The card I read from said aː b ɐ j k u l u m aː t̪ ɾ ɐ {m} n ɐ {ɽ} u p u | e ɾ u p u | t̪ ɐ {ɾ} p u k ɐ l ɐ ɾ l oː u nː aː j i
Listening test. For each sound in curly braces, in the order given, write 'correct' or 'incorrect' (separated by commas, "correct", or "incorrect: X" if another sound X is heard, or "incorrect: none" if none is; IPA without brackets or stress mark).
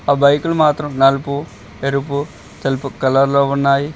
correct, incorrect: l, incorrect: l